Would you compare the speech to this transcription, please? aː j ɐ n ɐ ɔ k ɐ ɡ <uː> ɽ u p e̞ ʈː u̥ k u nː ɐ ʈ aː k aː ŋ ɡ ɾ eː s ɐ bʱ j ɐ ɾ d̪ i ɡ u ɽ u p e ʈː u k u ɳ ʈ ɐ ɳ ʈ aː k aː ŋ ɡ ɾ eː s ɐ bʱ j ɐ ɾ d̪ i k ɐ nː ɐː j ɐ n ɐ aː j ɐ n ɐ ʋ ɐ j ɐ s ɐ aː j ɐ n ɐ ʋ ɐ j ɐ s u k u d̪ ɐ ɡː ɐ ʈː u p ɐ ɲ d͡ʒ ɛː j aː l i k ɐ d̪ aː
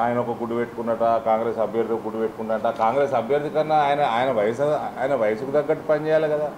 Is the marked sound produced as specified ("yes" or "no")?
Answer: no